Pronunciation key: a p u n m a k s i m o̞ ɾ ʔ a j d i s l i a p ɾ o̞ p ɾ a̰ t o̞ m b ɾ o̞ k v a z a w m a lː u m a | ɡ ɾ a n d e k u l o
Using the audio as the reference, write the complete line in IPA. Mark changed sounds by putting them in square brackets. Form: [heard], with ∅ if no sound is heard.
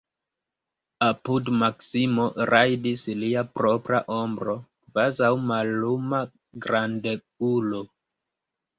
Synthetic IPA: a p u [d] m a k s i m o̞ ɾ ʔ a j d i s l i a p ɾ o̞ p ɾ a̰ [ʔ] o̞ m b ɾ o̞ k v a z a w m a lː u m a | ɡ ɾ a n d e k u l o